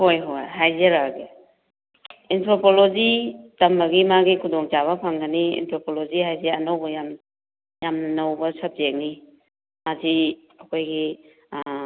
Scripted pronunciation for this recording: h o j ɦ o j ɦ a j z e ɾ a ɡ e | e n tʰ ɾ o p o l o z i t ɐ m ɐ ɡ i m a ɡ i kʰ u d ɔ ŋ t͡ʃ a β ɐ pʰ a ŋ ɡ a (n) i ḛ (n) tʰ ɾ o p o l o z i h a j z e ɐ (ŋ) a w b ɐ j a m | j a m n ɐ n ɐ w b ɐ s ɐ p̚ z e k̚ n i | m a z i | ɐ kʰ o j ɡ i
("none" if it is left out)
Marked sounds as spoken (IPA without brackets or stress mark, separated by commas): n, n, n